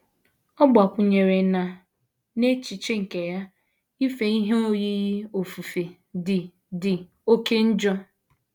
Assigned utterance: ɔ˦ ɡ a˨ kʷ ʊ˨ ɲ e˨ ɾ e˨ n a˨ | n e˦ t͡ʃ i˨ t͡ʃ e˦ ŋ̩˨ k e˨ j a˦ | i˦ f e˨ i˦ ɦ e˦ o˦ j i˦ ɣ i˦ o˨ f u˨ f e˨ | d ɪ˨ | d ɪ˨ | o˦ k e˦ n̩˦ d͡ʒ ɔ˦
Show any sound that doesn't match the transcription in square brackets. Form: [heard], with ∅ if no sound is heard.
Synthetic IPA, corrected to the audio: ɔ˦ [ɡ͡b] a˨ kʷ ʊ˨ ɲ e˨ ɾ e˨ n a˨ | n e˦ t͡ʃ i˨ t͡ʃ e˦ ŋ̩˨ k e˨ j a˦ | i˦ f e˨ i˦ ɦ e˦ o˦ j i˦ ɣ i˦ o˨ f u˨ f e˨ | d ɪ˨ | d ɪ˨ | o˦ k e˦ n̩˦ d͡ʒ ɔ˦